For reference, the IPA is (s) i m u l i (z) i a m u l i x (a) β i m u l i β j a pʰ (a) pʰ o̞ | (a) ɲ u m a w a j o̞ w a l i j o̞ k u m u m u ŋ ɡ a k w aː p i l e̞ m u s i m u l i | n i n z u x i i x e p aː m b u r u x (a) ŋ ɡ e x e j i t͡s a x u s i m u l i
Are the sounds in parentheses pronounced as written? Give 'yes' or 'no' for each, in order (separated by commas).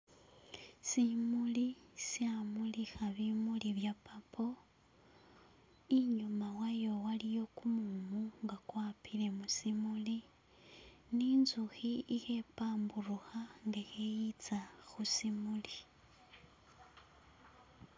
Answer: yes, no, yes, yes, no, yes